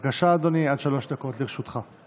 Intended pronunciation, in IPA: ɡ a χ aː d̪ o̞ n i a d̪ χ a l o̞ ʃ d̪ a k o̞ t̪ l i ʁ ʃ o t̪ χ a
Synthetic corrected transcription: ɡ a ʃ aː d̪ o̞ n i a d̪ ʃ a l o̞ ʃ d̪ a k o̞ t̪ l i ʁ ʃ u t̪ χ a